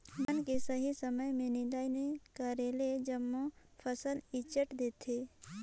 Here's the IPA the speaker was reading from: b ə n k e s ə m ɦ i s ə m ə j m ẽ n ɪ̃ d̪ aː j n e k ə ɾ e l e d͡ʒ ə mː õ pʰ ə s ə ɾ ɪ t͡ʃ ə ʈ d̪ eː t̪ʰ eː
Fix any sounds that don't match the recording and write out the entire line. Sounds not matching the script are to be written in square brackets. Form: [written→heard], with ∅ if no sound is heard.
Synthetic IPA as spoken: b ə n k e s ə [m→∅] ɦ i s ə m ə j m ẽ n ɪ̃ d̪ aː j n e k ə ɾ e l e d͡ʒ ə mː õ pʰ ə s ə [ɾ→l] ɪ t͡ʃ ə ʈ d̪ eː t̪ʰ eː